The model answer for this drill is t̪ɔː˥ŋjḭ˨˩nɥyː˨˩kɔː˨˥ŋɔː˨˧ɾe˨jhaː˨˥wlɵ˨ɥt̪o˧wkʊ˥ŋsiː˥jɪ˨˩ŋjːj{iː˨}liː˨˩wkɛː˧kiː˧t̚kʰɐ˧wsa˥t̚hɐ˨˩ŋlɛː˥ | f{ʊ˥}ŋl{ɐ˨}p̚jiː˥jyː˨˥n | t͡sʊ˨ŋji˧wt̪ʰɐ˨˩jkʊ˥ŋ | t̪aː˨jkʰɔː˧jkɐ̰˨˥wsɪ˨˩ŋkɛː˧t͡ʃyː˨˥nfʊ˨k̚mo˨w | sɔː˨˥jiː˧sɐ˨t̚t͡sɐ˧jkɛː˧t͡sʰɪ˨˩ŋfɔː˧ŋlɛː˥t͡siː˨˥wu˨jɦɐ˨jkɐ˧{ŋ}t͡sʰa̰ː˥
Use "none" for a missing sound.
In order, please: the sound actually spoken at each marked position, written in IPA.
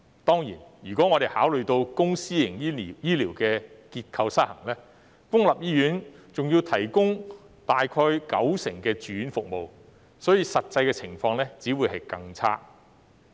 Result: iː˥, ʊ˥, ɐ˨, ŋ

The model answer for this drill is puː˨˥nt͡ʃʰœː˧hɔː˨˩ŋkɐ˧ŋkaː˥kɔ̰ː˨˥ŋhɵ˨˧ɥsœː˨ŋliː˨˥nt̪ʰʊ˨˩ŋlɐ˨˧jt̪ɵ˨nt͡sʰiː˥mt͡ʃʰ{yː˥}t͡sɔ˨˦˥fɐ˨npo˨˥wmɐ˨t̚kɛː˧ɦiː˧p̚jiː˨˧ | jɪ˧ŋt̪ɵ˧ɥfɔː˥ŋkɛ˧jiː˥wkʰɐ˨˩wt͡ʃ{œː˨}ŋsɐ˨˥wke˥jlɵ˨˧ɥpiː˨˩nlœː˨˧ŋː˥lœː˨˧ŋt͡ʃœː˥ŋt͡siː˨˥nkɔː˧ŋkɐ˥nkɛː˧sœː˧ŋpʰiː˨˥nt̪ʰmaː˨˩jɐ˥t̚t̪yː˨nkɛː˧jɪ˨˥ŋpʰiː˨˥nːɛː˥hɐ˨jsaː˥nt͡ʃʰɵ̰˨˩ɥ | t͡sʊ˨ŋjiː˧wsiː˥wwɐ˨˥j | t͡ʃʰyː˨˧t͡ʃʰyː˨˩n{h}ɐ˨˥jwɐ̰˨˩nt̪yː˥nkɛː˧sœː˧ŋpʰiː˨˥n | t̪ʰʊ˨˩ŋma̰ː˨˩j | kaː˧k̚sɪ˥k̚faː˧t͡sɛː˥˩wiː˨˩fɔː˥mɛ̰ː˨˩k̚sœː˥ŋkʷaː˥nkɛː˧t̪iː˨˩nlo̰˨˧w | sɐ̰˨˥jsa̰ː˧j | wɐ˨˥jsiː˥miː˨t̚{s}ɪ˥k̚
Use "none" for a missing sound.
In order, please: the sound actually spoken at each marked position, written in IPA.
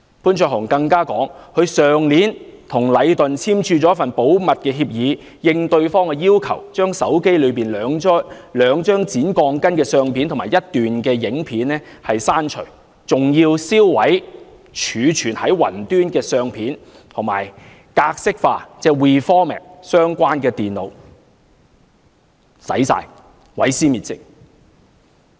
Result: yː˧, œː˥, h, t͡s

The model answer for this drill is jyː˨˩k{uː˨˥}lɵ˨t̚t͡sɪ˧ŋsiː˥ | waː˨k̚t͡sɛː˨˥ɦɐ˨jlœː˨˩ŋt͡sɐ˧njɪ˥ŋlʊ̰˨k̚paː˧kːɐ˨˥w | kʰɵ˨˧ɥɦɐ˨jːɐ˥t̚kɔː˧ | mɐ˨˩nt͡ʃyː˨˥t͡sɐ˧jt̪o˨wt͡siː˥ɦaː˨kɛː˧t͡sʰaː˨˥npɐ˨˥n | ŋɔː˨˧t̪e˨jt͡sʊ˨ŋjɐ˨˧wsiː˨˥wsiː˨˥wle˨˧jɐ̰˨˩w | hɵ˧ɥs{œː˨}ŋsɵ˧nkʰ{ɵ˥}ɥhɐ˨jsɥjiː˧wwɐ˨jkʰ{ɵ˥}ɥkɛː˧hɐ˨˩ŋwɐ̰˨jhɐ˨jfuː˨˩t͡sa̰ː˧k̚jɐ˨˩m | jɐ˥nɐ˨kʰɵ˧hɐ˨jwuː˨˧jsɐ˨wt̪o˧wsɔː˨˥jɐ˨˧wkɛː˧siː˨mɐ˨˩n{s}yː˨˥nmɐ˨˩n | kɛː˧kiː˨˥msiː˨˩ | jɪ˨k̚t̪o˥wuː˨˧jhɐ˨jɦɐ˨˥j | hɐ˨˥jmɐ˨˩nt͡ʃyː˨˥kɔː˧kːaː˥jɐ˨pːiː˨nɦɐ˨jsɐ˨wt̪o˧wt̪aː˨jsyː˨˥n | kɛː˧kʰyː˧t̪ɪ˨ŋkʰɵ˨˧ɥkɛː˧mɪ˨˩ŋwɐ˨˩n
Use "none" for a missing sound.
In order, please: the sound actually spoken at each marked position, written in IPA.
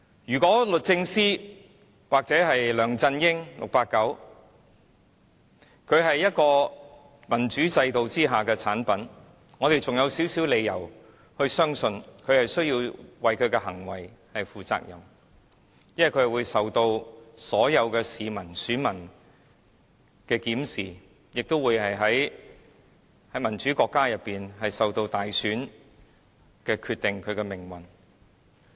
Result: ɔː˨˥, œː˥, ɵ˨˧, ɵ˨˧, s

